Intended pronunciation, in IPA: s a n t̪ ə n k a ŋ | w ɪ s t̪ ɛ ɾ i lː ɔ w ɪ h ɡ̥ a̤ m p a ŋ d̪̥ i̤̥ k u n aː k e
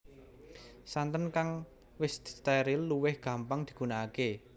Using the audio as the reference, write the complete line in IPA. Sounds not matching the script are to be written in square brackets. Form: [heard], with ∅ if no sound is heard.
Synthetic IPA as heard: s a n t̪ ə n k a ŋ | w ɪ s t̪ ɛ ɾ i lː [u] w ɪ h ɡ̥ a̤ m p a ŋ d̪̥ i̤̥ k u n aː k e